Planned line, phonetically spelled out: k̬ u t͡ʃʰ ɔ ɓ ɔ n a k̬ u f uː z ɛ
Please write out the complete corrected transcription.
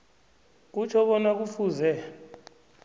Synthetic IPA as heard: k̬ u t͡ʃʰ ɔ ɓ ɔ n a k̬ u f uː z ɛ